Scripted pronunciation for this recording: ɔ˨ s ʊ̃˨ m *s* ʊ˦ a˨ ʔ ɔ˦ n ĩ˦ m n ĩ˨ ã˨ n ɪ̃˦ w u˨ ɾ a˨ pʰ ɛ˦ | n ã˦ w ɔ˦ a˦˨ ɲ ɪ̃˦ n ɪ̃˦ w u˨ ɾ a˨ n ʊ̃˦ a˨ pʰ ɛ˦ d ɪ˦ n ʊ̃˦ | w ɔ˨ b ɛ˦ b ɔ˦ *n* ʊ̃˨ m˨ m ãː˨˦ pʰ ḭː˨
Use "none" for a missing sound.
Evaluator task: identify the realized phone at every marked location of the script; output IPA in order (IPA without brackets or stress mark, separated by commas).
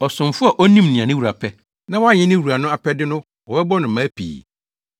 f, n